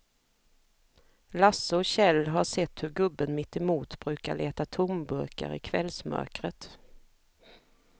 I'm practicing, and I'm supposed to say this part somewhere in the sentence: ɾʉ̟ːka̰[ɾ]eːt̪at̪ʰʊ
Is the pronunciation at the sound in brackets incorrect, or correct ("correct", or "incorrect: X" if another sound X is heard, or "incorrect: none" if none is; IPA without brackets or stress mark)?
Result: incorrect: ɭ